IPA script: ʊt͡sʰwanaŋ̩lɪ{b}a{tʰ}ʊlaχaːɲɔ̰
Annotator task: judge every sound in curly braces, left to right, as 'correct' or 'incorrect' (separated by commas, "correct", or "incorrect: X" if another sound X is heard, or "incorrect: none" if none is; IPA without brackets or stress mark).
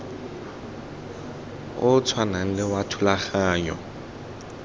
incorrect: w, correct